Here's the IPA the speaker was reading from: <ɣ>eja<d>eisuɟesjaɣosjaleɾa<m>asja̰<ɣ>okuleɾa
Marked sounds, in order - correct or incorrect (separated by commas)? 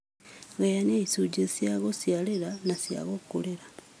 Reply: correct, incorrect, incorrect, correct